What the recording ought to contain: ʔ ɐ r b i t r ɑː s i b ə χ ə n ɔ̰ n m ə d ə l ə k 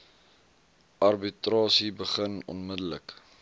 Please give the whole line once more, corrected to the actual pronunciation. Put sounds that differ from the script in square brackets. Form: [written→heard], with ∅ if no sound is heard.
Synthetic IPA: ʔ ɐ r b i t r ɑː s i b ə χ ə n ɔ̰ n m ə d ə l ə k

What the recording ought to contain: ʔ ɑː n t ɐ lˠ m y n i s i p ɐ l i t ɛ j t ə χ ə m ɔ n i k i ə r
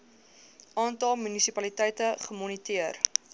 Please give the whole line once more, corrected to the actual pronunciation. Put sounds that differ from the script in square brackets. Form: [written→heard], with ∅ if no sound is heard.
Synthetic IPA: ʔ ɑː n t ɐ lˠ m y n i s i p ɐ l i t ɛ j t ə χ ə m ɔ n i [k→t] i ə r

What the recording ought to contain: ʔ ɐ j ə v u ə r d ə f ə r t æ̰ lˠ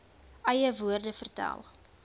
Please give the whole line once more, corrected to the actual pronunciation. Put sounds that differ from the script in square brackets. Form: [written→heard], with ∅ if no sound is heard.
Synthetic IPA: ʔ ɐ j ə v u ə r d ə f ə r t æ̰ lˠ

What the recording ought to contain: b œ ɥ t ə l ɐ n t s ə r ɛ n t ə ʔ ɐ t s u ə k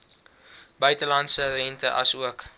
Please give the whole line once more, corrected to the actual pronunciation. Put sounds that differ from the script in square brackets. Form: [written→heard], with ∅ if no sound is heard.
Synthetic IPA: b œ ɥ t ə l ɐ n t s ə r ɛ n t ə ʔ ɐ [t→∅] s u ə k

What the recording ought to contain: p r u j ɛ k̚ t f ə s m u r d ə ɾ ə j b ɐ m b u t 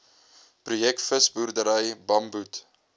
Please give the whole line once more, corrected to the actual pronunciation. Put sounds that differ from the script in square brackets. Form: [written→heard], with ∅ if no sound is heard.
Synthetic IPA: p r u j ɛ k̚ t f ə s [m→b] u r d ə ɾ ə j b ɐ m b u t

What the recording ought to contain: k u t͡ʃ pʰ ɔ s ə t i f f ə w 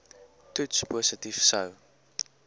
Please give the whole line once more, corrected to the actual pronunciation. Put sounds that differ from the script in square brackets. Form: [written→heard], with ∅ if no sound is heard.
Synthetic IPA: [k→t] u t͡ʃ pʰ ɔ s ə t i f [f→s] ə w

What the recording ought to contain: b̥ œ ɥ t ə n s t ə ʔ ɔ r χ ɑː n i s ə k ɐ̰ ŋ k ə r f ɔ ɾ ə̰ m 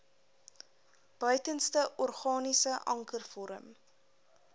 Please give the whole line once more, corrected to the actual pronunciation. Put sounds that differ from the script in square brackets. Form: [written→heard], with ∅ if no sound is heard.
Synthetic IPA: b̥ œ ɥ t ə n s t ə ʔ ɔ r χ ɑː n i s ə [k→ʔ] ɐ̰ ŋ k ə r f ɔ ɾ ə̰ m

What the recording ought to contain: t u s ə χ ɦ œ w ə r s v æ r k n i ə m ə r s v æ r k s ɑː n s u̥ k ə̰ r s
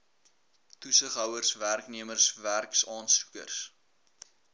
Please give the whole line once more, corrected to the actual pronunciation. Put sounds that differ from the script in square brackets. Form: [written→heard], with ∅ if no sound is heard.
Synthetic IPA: t u s ə χ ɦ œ w ə r s v æ r k n i ə m ə r s v æ r k s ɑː n s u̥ k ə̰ r s

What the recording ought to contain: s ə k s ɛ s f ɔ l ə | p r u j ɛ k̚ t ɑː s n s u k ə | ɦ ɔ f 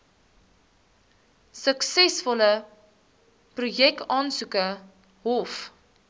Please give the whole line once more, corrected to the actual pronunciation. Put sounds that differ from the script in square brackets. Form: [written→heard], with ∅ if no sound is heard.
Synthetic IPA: s ə k s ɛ s f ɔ l ə | p r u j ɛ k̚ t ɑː [s→∅] n s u k ə | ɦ ɔ f

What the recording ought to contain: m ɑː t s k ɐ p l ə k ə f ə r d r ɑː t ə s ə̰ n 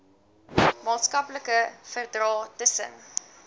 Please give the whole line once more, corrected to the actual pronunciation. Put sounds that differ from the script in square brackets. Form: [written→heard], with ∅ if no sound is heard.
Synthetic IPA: m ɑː t s k ɐ p l ə k ə f ə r d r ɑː t ə s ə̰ n

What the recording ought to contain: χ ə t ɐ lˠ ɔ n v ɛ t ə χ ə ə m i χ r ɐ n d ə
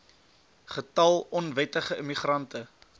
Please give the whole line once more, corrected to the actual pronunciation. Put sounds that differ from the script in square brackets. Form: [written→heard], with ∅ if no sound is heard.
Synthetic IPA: χ ə t ɐ lˠ ɔ n v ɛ t ə χ ə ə m i χ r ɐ n [d→t] ə

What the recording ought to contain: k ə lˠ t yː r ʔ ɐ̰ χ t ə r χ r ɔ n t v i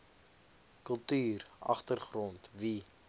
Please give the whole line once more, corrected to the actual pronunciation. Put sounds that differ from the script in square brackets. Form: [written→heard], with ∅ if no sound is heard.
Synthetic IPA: k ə lˠ t yː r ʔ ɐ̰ χ t ə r χ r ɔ n t v i

